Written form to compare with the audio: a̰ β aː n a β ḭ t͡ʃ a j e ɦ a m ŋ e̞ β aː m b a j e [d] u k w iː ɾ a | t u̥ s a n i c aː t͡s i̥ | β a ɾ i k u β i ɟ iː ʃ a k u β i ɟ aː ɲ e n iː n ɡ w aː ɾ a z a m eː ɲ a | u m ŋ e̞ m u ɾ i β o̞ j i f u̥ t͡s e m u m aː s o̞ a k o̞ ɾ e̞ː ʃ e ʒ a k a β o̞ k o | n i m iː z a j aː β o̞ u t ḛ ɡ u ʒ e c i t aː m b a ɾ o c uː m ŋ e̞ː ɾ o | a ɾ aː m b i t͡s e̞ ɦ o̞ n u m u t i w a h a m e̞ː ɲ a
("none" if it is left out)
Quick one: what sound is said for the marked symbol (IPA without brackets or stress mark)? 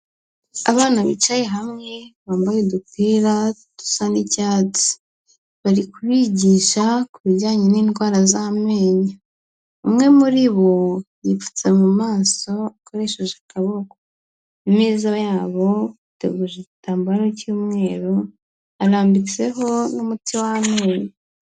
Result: d